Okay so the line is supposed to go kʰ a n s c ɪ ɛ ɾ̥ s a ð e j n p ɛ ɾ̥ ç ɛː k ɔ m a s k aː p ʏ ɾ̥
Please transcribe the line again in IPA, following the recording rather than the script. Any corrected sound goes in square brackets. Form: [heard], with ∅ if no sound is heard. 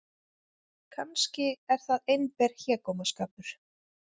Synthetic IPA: kʰ a n s c ɪ ɛ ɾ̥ [θ] a ð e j n p ɛ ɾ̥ ç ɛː k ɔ m a s k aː p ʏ ɾ̥